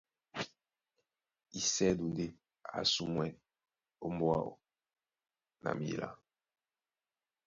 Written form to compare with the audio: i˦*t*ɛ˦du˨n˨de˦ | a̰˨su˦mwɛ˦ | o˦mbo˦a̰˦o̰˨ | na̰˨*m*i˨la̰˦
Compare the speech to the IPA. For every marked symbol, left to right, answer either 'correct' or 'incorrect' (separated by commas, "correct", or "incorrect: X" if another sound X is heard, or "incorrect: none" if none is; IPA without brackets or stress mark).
incorrect: s, correct